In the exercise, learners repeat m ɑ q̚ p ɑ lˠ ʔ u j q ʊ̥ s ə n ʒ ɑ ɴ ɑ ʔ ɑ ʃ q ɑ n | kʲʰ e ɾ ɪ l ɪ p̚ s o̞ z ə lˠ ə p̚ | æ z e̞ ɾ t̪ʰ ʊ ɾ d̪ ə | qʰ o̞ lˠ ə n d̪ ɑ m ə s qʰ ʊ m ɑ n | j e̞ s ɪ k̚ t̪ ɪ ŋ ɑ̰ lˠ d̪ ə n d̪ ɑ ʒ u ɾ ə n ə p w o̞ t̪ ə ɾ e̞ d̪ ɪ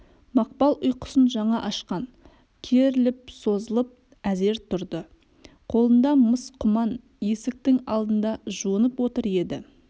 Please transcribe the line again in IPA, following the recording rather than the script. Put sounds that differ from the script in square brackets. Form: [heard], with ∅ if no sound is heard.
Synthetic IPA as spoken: m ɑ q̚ p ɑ lˠ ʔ [ʊ] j q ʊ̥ s ə n ʒ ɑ ɴ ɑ ʔ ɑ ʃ q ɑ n | kʲʰ e ɾ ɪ l ɪ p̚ s o̞ z ə lˠ ə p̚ | æ z e̞ ɾ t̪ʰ ʊ ɾ d̪ ə | qʰ o̞ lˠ ə n d̪ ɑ m ə s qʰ ʊ m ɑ n | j e̞ s ɪ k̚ t̪ ɪ ŋ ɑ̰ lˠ d̪ ə n d̪ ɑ ʒ u [∅] ə n ə p w o̞ t̪ ə ɾ e̞ d̪ ɪ